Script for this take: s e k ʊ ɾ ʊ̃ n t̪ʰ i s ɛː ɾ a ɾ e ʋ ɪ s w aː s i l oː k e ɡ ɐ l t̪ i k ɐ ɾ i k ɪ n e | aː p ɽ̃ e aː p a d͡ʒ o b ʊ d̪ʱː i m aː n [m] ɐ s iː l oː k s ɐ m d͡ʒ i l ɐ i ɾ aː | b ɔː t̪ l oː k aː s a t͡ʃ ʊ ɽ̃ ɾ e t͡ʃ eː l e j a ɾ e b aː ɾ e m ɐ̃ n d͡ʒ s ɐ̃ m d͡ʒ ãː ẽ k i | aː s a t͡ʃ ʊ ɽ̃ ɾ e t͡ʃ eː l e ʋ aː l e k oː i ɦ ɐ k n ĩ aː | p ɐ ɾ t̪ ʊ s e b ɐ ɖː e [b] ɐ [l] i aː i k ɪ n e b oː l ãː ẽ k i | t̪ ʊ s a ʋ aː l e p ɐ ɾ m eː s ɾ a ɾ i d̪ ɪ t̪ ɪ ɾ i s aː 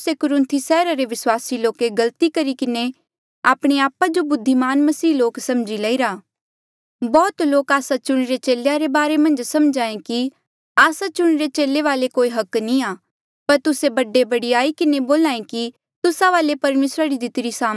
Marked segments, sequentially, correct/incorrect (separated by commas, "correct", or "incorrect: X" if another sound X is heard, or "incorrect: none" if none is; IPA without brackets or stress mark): correct, correct, incorrect: ɽ